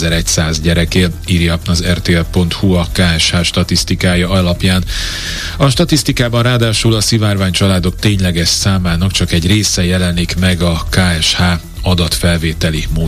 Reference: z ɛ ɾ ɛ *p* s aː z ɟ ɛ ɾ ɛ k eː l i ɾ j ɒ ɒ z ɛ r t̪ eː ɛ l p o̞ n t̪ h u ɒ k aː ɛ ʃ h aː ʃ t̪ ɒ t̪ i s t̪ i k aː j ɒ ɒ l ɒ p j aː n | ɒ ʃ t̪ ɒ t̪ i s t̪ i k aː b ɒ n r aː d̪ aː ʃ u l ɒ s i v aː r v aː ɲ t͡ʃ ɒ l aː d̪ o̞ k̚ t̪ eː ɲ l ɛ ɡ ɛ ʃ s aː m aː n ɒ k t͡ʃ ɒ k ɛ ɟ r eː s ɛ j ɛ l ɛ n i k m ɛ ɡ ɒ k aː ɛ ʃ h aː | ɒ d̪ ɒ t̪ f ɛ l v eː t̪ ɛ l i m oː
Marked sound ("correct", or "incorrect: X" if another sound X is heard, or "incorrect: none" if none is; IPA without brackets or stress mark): incorrect: c